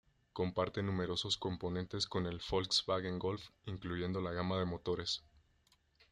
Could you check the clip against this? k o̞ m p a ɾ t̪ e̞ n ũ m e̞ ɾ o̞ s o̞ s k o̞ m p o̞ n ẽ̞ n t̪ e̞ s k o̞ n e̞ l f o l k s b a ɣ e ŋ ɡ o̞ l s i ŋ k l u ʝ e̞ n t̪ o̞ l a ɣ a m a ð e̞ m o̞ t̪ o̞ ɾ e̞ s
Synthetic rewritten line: k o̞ m p a ɾ t̪ e̞ n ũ m e̞ ɾ o̞ s o̞ s k o̞ m p o̞ n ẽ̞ n t̪ e̞ s k o̞ n e̞ l f o l k s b a ɣ e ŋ ɡ o̞ l f i ŋ k l u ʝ e̞ n d̪ o̞ l a ɣ a m a ð e̞ m o̞ t̪ o̞ ɾ e̞ s